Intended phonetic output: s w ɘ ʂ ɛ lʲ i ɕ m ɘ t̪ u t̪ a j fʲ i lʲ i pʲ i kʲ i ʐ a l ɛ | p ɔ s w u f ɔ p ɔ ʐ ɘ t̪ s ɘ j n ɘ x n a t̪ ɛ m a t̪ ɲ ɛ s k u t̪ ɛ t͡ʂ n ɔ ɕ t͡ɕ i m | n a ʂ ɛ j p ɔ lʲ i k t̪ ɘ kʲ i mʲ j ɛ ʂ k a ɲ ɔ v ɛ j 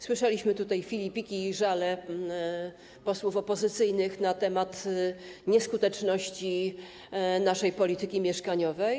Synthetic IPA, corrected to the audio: s w ɘ ʂ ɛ lʲ i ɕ m ɘ t̪ u t̪ a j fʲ i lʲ i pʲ i kʲ i ʐ a l ɛ | p ɔ s w u f ɔ p ɔ z ɘ t̪ s ɘ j n ɘ x n a t̪ ɛ m a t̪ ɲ ɛ s k u t̪ ɛ t͡ʂ n ɔ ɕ t͡ɕ i | n a ʂ ɛ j p ɔ lʲ i t̪ ɘ kʲ i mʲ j ɛ ʂ k a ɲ ɔ v ɛ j

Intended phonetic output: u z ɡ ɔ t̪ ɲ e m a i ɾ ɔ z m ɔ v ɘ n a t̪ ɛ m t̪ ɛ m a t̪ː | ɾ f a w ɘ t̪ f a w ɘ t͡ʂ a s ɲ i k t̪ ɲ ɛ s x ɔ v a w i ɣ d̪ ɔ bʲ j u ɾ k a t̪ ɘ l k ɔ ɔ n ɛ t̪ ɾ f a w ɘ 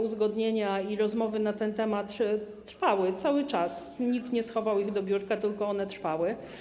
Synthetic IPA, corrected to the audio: u z ɡ ɔ d̪ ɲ e ɲ a i ɾ ɔ z m ɔ v ɘ n a t̪ ɛ n t̪ ɛ m a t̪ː | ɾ f a w ɘ t̪ s a w ɘ t͡ʂ a s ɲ i k t̪ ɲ ɛ s x ɔ v a w i ɣ d̪ ɔ bʲ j u ɾ k a t̪ ɘ l k ɔ ɔ n ɛ t̪ ɾ f a w ɘ

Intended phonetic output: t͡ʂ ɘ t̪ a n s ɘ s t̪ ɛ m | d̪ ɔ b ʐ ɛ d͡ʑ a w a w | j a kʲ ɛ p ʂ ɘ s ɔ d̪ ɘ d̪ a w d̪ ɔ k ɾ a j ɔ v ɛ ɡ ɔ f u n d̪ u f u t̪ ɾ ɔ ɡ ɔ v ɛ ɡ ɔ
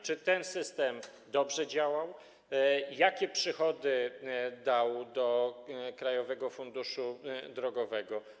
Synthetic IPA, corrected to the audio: t͡ʂ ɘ t̪ ɛ n s ɘ s t̪ ɛ m | d̪ ɔ b ʐ ɛ d͡ʑ a w a w | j a kʲ ɛ p ʂ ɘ x ɔ d̪ ɘ d̪ a w d̪ ɔ k ɾ a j ɔ v ɛ ɡ ɔ f u n d̪ u ʂ u d̪ ɾ ɔ ɡ ɔ v ɛ ɡ ɔ

